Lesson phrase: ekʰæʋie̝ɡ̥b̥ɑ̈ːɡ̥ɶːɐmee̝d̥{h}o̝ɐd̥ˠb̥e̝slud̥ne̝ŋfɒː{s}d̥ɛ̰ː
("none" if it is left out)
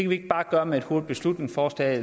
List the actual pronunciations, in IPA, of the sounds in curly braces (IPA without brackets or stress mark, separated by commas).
h, s